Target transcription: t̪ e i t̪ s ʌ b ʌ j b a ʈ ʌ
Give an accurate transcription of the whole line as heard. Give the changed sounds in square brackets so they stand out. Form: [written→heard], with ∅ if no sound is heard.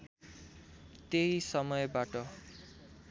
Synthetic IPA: t̪ e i [t̪→∅] s ʌ [b→m] ʌ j b a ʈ ʌ